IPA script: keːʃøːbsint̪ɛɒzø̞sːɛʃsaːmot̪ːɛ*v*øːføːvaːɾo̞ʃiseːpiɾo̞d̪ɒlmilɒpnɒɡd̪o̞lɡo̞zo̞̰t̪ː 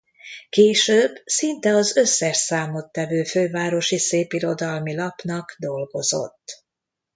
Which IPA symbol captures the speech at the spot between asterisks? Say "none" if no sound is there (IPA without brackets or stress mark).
v